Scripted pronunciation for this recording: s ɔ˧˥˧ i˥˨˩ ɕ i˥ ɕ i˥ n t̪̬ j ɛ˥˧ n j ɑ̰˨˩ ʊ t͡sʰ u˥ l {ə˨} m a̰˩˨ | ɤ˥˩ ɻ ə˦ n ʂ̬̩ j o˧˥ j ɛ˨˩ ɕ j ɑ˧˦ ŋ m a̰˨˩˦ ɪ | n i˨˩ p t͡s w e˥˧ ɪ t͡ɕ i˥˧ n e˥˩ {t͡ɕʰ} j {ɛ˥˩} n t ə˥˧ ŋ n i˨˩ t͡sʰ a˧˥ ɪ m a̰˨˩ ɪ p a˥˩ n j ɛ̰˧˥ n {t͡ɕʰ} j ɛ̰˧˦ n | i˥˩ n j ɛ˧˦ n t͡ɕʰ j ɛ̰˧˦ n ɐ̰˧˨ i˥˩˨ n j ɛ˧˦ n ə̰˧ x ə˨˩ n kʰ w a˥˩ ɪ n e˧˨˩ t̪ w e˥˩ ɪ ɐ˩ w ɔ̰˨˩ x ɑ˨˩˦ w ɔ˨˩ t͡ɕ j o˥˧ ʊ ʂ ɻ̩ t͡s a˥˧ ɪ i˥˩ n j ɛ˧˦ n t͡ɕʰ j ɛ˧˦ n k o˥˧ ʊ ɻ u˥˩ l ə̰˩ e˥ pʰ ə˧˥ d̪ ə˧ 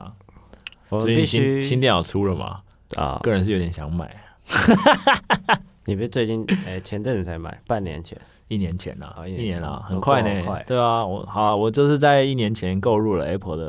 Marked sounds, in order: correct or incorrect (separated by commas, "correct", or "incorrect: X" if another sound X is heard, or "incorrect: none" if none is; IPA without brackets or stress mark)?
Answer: correct, correct, incorrect: ɛ˧˥˦, correct